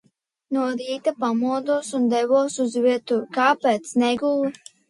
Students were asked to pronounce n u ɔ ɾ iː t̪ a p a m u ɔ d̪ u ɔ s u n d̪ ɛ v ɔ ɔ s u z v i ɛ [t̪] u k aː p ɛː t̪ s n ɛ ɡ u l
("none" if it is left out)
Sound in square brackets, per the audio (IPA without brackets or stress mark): t̪